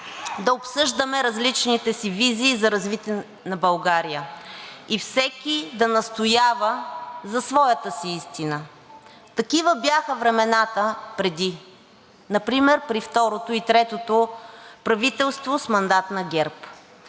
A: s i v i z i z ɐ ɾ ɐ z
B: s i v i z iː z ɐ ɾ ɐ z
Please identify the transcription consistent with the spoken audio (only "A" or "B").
B